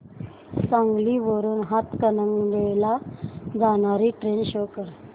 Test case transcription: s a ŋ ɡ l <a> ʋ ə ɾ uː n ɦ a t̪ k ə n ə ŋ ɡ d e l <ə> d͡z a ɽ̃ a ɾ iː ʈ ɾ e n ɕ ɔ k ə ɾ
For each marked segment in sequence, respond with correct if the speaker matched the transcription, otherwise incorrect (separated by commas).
incorrect, incorrect